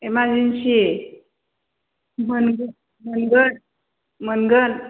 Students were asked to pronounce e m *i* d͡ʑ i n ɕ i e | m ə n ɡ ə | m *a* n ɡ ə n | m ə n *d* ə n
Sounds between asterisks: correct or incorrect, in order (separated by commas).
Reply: incorrect, incorrect, incorrect